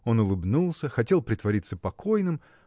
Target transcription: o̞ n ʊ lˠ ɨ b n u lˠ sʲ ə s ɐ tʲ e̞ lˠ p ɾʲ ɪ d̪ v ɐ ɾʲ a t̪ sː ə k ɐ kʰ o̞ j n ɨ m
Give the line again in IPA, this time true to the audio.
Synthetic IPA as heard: o̞ n ʊ lˠ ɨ b n u lˠ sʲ ə x ɐ tʲ e̞ lˠ p ɾʲ ɪ t̪ v ɐ ɾʲ i t̪ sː ə p ɐ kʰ o̞ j n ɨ m